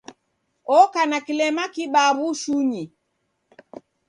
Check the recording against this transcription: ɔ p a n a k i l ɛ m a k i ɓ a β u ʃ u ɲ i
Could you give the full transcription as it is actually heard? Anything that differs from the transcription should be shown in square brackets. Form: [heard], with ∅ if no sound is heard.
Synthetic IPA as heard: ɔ [k] a n a k i l ɛ m a k i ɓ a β u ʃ u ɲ i